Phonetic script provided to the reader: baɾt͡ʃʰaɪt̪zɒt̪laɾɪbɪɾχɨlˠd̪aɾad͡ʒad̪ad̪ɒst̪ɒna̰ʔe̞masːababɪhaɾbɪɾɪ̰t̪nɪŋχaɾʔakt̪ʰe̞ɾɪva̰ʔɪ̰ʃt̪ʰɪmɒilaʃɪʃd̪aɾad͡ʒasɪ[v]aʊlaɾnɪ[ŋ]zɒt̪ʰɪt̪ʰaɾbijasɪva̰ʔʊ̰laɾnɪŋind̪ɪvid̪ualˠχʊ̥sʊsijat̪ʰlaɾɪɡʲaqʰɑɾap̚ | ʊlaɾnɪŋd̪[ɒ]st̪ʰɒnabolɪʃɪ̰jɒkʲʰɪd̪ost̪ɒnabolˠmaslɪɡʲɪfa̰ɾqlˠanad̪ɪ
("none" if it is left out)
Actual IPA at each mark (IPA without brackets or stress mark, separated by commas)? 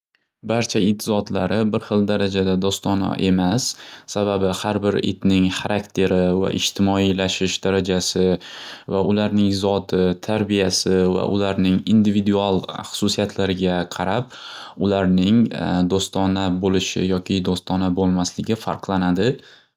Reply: v, ŋ, o